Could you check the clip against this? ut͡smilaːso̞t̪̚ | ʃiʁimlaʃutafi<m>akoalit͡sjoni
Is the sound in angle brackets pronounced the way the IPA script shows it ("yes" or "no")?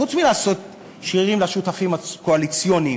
yes